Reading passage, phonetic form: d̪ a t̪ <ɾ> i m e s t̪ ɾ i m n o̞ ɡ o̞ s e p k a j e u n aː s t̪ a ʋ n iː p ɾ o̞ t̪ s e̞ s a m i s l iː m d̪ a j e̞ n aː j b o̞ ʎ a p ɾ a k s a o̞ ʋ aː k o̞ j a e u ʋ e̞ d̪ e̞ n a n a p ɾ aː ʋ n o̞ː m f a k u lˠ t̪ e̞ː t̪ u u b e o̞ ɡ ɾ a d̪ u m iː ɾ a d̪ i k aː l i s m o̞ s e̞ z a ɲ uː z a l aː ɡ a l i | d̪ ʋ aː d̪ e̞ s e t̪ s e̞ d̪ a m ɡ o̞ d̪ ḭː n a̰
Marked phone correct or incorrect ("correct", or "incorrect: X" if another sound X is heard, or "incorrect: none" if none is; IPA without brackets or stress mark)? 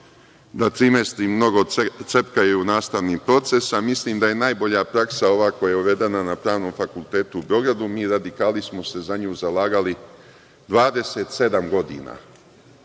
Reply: correct